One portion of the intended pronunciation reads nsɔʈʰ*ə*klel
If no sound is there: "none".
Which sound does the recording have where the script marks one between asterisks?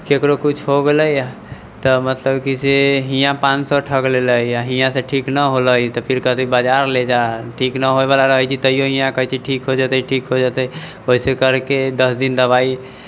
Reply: ə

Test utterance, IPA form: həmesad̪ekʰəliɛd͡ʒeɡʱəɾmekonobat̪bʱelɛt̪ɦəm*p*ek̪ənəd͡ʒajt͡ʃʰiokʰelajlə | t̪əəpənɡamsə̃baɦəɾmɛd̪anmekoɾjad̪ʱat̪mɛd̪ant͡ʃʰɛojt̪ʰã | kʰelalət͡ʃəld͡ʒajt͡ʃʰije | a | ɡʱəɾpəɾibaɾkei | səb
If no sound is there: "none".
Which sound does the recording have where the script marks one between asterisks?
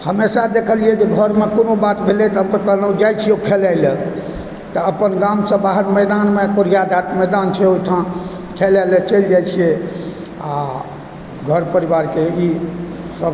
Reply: k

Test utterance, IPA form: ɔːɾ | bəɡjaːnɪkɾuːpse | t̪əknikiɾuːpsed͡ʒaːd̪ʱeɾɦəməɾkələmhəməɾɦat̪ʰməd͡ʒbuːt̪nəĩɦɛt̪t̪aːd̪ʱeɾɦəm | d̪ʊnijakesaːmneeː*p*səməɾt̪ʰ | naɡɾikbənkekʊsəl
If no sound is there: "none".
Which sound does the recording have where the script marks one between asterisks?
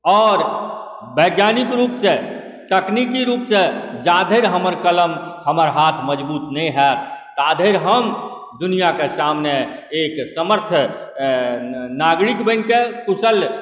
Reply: k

